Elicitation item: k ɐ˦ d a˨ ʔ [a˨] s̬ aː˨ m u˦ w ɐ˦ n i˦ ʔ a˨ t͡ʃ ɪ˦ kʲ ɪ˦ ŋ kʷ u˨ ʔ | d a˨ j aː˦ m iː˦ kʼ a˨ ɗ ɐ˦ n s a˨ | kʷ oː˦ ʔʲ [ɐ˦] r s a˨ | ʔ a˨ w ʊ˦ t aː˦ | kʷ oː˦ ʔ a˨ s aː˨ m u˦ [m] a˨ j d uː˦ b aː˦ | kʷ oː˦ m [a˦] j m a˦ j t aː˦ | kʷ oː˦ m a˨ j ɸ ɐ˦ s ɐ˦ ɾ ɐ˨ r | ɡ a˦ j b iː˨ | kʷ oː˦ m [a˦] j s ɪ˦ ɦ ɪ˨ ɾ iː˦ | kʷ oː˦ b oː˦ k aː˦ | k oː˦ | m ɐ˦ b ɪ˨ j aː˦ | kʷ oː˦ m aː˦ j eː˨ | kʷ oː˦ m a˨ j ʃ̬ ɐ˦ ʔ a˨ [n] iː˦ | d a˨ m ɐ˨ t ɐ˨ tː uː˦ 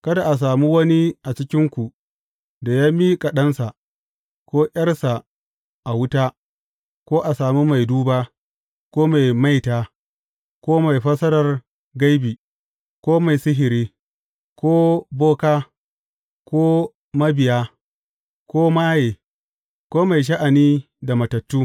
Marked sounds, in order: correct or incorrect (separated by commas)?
correct, correct, correct, incorrect, incorrect, correct